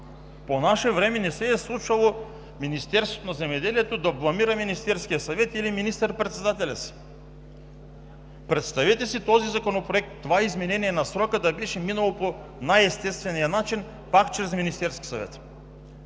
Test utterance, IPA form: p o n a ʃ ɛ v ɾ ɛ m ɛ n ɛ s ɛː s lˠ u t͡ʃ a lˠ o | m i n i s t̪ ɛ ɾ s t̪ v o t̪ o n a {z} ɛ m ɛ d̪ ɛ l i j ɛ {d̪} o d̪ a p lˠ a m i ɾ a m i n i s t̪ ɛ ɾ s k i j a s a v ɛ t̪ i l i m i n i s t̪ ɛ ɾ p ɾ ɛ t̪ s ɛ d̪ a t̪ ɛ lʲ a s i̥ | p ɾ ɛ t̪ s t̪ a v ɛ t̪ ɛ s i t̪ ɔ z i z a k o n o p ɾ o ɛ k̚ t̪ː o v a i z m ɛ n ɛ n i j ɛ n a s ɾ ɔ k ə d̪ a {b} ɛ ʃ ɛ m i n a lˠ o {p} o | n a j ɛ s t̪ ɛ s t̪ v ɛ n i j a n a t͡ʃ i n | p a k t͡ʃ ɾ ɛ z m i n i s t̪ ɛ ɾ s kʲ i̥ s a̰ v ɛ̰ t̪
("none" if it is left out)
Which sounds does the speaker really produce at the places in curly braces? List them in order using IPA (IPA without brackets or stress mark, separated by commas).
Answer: z, t̪, b, p